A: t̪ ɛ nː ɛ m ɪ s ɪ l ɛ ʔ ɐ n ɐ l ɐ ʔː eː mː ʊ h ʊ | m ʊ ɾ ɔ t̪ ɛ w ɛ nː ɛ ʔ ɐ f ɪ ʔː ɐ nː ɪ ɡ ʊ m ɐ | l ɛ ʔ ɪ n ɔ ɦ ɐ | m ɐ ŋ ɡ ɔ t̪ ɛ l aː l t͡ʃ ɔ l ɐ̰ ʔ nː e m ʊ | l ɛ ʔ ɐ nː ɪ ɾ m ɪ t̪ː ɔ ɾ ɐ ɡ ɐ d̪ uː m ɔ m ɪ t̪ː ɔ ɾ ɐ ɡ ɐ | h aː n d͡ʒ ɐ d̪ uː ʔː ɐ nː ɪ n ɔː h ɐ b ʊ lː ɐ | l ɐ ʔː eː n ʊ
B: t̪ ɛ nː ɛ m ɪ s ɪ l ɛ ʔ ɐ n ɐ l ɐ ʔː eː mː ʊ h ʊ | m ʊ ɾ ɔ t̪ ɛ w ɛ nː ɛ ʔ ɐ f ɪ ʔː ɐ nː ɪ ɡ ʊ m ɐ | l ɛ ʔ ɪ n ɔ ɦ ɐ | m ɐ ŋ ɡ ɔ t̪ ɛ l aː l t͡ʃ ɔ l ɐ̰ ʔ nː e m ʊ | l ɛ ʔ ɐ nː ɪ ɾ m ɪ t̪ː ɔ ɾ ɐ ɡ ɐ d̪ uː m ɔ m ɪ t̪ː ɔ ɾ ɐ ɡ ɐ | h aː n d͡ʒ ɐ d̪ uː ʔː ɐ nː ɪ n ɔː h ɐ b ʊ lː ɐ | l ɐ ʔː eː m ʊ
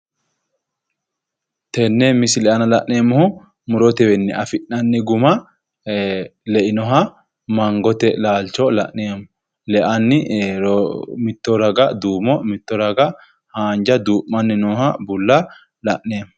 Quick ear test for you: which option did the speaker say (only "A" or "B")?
B